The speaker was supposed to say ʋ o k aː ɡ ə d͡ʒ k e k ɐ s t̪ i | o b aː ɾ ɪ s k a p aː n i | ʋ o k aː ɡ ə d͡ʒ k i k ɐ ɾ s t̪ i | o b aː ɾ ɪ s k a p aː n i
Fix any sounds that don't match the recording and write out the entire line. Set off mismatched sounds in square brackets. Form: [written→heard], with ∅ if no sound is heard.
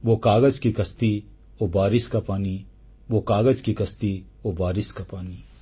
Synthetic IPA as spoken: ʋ o k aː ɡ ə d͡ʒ k [e→i] k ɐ s t̪ i | o b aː ɾ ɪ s k a p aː n i | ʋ o k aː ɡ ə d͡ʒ k i k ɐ [ɾ→∅] s t̪ i | o b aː ɾ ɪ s k a p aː n i